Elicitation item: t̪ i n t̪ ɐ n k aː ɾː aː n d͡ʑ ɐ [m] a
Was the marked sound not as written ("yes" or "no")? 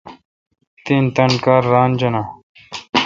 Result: yes